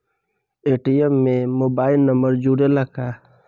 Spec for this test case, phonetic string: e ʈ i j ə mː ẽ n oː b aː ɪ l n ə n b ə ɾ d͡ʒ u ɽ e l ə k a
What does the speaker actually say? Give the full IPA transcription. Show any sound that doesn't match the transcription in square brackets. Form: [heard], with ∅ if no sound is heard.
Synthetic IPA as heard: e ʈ i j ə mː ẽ [m] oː b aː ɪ l n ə [m] b ə ɾ d͡ʒ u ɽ e l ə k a